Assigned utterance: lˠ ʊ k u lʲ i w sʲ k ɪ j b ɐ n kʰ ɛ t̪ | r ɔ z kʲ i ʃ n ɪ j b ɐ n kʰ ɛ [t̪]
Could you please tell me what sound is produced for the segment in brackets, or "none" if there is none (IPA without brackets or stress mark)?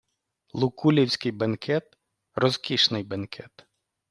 t̪